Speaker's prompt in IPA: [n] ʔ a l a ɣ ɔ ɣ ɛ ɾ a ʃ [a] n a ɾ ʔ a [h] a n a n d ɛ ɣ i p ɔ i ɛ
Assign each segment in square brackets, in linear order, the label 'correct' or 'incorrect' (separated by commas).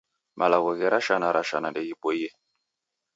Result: incorrect, correct, incorrect